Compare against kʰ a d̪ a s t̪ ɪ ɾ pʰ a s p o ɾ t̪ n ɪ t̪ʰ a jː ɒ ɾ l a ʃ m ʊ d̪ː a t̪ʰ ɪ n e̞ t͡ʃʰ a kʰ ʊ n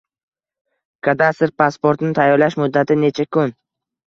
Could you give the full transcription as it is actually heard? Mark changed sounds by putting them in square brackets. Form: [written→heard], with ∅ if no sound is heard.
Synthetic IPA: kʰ a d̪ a s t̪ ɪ ɾ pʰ a s p o ɾ t̪ n ɪ t̪ʰ a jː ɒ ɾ l a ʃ m ʊ d̪ː a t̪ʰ ɪ n e̞ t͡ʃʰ a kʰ ʊ n